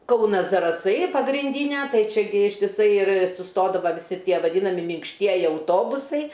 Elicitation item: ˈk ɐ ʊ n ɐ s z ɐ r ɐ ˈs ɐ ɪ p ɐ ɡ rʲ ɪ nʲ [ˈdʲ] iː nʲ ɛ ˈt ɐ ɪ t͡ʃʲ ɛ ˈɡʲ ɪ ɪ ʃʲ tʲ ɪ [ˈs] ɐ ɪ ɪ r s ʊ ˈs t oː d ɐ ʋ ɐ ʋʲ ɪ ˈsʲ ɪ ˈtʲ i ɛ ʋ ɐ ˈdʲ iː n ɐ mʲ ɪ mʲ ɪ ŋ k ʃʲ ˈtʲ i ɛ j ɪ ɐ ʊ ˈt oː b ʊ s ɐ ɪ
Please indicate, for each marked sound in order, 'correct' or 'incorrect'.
correct, correct

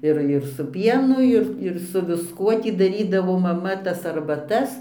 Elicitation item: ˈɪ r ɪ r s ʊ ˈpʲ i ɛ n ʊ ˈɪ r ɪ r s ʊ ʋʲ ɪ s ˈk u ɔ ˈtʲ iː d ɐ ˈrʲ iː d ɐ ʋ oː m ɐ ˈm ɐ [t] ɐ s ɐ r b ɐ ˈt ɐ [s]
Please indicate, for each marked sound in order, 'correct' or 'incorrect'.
correct, correct

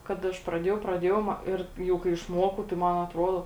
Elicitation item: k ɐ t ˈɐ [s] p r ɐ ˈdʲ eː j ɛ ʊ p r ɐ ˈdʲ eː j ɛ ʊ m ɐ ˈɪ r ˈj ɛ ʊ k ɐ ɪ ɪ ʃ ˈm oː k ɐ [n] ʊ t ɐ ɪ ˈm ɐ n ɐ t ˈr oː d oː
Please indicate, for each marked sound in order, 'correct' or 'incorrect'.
incorrect, incorrect

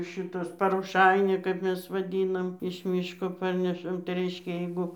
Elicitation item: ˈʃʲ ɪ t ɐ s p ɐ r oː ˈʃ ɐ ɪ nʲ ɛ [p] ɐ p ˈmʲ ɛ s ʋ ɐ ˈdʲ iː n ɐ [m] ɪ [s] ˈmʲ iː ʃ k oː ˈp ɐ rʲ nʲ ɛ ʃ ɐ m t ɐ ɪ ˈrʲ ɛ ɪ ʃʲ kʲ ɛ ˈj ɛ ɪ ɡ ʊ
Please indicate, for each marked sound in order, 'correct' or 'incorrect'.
incorrect, correct, incorrect

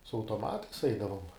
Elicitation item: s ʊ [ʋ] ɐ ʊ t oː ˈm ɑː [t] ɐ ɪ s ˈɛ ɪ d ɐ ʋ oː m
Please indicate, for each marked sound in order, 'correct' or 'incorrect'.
incorrect, correct

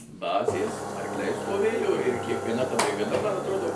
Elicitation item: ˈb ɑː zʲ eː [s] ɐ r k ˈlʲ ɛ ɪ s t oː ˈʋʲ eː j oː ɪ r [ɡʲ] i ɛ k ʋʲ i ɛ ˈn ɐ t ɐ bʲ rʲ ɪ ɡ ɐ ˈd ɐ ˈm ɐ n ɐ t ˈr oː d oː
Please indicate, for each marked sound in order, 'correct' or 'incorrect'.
correct, incorrect

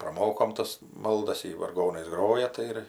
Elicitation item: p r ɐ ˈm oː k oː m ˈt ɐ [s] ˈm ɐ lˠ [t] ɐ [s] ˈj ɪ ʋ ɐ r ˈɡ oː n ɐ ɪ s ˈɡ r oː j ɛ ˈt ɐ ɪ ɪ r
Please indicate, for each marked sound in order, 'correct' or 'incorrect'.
correct, incorrect, correct

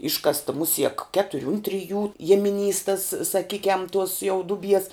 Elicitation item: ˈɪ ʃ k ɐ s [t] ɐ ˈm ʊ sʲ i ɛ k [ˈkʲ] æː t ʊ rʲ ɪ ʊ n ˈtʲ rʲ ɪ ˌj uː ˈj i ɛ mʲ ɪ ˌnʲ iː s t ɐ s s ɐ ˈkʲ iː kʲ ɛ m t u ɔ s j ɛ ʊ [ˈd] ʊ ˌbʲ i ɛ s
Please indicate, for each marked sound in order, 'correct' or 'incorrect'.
correct, correct, correct

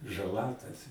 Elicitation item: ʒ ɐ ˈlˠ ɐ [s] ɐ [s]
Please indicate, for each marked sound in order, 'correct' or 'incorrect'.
incorrect, correct

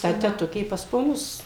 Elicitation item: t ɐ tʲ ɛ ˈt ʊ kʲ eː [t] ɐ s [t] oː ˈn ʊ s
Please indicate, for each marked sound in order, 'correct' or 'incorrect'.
incorrect, incorrect

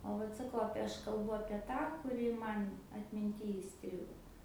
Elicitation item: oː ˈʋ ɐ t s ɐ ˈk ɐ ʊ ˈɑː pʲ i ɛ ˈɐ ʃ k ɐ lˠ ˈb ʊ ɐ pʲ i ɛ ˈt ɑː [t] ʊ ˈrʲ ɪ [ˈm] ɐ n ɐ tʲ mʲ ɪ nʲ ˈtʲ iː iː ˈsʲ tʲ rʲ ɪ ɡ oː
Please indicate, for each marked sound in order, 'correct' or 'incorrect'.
incorrect, correct

